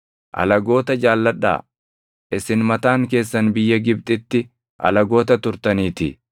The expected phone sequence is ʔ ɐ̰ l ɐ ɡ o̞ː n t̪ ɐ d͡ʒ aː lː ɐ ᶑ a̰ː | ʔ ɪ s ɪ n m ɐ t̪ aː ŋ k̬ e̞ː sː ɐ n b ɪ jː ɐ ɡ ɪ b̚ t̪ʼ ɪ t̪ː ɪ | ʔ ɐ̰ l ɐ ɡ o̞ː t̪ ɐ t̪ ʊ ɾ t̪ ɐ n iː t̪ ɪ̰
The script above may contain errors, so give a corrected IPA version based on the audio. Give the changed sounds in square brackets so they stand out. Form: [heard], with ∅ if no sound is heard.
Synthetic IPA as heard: ʔ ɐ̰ l ɐ ɡ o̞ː [∅] t̪ ɐ d͡ʒ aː lː ɐ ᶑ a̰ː | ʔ ɪ s ɪ n m ɐ t̪ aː ŋ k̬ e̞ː sː ɐ n b ɪ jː ɐ ɡ ɪ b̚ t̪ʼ ɪ t̪ː ɪ | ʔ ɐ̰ l ɐ ɡ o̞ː t̪ ɐ t̪ ʊ ɾ t̪ ɐ n iː t̪ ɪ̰